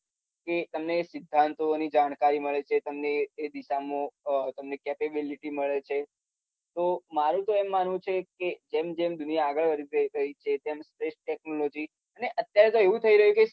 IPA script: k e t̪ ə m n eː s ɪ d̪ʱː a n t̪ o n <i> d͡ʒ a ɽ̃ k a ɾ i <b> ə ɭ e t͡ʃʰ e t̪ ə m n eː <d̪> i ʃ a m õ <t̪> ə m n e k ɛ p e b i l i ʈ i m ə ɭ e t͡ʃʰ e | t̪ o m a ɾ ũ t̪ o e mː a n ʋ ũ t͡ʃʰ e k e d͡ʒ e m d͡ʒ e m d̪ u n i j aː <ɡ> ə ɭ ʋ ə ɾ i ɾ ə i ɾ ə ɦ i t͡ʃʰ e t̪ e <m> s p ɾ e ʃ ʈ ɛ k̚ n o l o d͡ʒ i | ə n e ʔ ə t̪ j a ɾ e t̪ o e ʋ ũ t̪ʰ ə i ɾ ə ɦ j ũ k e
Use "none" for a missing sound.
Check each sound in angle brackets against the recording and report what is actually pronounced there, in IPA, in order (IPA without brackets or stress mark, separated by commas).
i, m, d̪, t̪, ɡ, m